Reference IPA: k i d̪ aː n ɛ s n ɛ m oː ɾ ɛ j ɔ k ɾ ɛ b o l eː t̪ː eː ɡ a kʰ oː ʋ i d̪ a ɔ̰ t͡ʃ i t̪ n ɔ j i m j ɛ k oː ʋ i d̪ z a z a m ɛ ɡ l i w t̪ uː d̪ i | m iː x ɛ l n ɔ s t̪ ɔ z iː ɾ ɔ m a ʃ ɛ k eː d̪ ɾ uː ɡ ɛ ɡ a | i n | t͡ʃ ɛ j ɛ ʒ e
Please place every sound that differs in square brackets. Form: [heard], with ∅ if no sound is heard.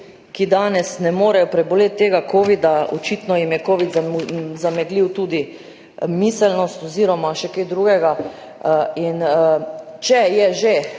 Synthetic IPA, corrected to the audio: k i d̪ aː n ɛ s n ɛ m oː ɾ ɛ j ɔ [p] ɾ ɛ b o l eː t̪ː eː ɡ a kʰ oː ʋ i d̪ a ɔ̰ t͡ʃ i t̪ n ɔ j i m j ɛ k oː ʋ i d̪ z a z a m ɛ ɡ l i w t̪ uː d̪ i | m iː [s] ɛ l n ɔ s t̪ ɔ z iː ɾ ɔ m a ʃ ɛ k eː d̪ ɾ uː ɡ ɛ ɡ a | i n | t͡ʃ ɛ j ɛ ʒ e